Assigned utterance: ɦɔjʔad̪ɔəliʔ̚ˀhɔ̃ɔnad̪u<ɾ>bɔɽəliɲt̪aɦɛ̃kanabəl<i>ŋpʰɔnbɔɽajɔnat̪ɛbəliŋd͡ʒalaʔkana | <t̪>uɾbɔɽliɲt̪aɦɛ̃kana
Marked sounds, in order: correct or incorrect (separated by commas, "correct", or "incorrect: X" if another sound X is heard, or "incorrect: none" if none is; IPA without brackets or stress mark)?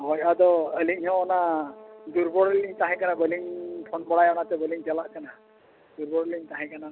correct, correct, incorrect: d̪